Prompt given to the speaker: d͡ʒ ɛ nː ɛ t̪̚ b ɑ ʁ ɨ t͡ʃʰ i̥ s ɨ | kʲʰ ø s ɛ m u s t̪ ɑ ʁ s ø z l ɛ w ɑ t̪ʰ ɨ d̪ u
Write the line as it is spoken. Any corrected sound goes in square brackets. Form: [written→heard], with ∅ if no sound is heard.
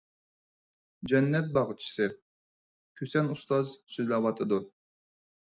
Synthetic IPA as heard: d͡ʒ ɛ nː ɛ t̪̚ b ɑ ʁ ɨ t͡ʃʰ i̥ s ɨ | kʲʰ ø s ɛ [m→n] u s t̪ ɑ [ʁ→z] s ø z l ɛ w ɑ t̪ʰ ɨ d̪ u

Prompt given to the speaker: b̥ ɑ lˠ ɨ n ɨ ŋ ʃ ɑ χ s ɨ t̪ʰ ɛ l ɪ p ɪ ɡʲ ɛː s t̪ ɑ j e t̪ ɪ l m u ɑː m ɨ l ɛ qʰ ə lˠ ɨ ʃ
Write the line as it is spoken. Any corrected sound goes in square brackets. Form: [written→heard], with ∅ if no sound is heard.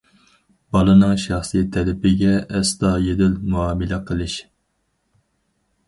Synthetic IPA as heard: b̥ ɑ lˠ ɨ n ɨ ŋ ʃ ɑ χ s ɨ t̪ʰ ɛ l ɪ p ɪ ɡʲ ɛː s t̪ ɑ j e [t̪→d̪] ɪ l m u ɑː m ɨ l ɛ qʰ ə lˠ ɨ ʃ

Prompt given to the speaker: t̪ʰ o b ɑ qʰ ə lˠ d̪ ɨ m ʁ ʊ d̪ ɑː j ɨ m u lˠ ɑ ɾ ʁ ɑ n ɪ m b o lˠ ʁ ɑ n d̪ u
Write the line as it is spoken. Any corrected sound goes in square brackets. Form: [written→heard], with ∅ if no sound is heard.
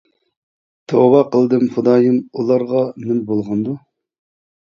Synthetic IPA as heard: t̪ʰ o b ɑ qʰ ə lˠ d̪ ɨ m [ʁ→χ] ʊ d̪ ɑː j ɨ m u lˠ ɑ ɾ ʁ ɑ n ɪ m b o lˠ ʁ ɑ n d̪ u

